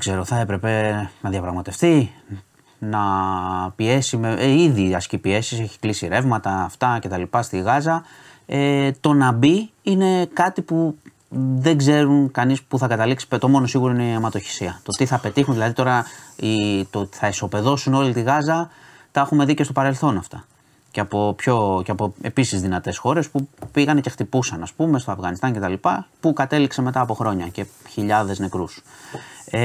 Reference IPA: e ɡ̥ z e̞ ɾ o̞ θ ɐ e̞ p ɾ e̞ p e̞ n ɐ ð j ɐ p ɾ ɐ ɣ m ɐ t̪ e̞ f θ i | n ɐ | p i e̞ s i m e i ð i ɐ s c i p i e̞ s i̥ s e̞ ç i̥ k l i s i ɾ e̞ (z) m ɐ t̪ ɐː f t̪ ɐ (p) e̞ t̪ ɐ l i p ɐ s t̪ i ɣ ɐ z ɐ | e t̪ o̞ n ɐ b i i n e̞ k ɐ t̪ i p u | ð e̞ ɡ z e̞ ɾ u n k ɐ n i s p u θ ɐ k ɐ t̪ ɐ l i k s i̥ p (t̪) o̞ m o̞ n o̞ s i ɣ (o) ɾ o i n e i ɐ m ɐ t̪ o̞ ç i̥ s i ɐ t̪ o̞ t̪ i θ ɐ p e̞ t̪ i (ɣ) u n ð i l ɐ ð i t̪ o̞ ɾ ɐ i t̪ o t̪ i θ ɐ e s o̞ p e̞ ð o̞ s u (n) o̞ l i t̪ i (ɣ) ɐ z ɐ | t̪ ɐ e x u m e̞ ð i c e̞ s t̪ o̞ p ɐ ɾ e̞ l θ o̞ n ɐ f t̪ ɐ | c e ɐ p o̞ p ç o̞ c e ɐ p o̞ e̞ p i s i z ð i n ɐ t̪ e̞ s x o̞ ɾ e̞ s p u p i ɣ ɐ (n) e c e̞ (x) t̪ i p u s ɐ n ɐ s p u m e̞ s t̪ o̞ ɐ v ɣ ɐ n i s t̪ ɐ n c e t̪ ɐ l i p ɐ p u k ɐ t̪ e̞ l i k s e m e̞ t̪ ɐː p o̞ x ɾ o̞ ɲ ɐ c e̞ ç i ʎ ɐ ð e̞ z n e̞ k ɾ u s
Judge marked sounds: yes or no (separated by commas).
no, no, yes, no, no, yes, yes, yes, yes